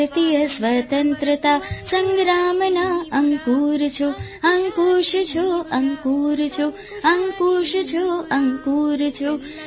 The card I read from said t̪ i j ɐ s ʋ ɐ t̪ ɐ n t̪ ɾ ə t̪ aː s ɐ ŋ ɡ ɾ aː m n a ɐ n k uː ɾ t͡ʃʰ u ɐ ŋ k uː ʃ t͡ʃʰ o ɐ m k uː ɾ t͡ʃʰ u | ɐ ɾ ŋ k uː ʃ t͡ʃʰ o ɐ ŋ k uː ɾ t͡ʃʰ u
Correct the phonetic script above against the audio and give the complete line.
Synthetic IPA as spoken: t̪ i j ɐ s ʋ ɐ t̪ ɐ n t̪ ɾ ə t̪ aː s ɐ ŋ ɡ ɾ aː m n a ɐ ŋ k uː ɾ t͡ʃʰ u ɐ ŋ k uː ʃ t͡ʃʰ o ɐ ŋ k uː ɾ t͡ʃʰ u | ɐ ŋ k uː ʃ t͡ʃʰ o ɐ ŋ k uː ɾ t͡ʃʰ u